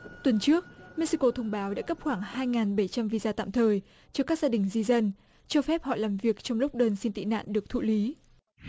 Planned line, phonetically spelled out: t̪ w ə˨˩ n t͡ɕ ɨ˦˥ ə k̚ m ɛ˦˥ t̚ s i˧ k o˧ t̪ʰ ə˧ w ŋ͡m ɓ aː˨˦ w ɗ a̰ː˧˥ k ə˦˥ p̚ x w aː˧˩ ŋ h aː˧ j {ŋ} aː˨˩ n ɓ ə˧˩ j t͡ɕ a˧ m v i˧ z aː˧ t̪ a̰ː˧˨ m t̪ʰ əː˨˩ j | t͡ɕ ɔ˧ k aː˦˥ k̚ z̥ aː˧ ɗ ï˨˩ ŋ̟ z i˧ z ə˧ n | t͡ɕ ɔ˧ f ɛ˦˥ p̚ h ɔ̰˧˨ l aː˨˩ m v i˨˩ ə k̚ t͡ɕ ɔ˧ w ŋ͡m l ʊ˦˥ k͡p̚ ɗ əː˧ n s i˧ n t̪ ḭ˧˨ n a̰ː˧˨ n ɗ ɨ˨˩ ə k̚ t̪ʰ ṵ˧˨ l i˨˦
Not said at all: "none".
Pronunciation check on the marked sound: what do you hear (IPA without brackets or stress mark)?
ŋ